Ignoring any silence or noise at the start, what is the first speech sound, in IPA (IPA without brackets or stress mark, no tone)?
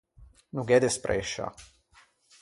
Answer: n